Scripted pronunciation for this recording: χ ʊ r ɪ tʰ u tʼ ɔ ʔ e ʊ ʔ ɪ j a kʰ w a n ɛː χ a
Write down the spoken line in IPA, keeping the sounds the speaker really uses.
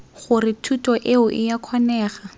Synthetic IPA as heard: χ ʊ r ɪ tʰ u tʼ ɔ ʔ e ʊ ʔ ɪ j a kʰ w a n ɛː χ a